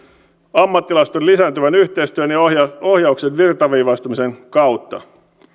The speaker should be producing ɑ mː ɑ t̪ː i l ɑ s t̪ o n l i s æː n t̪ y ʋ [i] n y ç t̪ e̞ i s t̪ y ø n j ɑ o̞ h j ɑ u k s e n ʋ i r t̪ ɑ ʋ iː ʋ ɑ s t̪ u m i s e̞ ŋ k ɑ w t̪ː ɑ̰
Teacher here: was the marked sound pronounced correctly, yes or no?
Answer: no